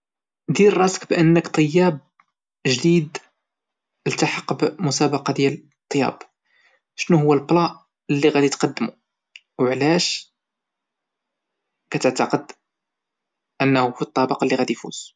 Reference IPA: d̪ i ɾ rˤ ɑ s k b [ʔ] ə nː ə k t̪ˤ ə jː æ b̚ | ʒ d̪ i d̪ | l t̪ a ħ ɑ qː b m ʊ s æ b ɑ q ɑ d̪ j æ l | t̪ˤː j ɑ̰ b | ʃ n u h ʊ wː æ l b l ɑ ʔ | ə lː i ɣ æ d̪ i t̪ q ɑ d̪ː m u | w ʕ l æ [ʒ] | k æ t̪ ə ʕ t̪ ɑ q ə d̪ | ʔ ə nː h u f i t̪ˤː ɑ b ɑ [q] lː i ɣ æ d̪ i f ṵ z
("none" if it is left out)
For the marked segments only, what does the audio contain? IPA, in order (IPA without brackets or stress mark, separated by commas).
ʔ, ʃ, q